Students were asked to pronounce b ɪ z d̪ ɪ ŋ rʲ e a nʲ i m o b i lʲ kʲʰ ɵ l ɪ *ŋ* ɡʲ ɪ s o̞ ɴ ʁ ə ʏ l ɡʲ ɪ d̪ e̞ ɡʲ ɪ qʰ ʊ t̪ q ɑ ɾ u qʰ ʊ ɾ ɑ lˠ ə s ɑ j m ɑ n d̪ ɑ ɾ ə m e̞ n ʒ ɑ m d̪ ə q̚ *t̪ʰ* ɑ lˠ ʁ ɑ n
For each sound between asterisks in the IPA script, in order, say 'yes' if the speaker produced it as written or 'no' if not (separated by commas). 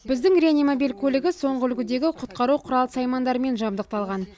no, no